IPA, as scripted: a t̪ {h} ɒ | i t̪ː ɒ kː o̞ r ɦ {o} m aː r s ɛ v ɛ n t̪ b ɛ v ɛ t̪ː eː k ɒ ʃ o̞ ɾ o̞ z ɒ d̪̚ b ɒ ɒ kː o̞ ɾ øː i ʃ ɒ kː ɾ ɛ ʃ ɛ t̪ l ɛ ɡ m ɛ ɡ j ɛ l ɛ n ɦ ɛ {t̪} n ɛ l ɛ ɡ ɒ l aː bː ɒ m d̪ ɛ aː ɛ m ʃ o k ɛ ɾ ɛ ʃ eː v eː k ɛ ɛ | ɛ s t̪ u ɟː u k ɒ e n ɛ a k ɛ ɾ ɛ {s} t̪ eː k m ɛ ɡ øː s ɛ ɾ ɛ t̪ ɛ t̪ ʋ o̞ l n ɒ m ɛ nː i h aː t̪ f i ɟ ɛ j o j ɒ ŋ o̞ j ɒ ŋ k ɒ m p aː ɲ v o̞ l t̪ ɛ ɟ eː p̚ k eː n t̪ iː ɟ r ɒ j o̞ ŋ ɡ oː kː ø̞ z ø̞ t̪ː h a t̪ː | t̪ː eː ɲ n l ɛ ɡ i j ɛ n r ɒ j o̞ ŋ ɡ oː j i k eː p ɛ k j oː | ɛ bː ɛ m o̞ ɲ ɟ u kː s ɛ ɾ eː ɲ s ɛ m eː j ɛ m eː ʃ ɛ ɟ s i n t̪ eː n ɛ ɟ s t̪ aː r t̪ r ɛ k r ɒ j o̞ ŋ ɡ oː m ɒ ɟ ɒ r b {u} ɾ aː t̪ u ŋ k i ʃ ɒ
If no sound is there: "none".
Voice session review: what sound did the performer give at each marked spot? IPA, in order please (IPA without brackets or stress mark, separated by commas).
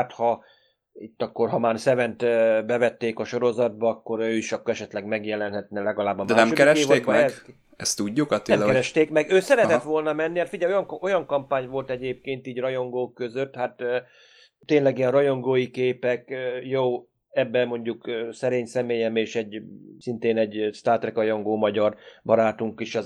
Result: h, ɒ, t̪, ʃ, ɒ